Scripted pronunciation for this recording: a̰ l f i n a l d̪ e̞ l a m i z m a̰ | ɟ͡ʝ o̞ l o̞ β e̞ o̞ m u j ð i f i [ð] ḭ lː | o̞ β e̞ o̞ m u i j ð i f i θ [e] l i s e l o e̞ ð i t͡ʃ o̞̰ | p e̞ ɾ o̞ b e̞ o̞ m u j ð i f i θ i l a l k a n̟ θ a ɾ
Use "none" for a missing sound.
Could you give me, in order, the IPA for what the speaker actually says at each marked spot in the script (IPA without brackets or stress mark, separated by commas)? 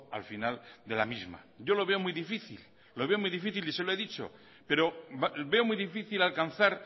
θ, i